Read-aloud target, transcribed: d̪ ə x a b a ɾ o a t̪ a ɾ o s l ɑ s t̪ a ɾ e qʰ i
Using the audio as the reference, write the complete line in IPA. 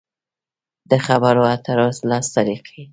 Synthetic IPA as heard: d̪ ə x a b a ɾ o a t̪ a ɾ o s l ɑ s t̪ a ɾ i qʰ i